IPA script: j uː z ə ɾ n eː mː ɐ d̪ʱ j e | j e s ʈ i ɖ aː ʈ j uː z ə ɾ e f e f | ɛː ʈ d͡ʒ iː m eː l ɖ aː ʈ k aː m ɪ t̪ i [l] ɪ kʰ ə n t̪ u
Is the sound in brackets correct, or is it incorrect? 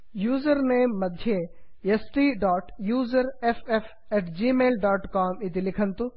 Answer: correct